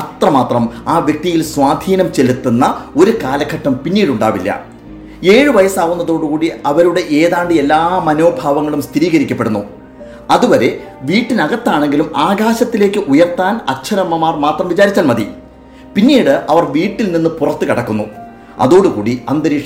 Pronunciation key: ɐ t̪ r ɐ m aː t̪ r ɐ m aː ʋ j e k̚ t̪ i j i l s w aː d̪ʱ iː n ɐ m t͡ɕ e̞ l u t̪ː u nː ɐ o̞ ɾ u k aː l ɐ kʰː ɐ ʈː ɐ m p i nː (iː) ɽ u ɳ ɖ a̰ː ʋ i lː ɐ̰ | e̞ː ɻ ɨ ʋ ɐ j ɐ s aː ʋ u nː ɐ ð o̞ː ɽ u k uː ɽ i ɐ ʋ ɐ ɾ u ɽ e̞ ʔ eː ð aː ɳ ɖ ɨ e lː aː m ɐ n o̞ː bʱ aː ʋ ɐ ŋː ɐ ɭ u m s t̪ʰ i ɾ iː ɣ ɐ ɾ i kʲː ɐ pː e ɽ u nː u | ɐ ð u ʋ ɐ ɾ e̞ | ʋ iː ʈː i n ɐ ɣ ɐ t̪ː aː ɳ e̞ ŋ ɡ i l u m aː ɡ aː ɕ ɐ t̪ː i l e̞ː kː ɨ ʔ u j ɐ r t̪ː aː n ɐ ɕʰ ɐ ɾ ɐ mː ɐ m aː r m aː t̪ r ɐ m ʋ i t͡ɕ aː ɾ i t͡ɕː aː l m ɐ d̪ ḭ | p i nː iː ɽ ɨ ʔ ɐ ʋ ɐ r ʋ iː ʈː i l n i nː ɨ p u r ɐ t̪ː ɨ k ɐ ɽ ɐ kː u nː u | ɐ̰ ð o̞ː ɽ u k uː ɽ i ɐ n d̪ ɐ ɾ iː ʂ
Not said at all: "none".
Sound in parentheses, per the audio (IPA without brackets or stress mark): iː